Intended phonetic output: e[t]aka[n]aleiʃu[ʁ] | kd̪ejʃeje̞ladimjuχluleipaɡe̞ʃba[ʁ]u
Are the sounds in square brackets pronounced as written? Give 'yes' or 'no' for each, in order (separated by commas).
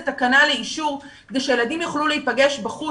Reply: yes, yes, yes, no